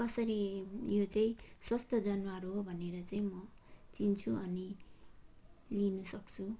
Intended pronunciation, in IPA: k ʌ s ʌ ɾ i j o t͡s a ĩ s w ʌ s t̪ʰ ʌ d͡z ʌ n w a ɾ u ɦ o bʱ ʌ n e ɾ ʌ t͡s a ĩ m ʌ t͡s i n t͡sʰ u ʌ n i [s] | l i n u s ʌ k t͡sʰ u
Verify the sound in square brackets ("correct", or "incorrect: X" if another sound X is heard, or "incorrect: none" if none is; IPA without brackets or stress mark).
incorrect: none